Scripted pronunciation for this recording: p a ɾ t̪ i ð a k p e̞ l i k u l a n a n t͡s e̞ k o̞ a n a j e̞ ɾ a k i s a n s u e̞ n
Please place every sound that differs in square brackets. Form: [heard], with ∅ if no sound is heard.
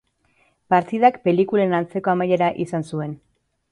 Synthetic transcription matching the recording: p a ɾ t̪ i ð a k p e̞ l i k u l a n a n t͡s e̞ k o̞ a [m] a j e̞ ɾ a [ʔ] i s a n s u e̞ n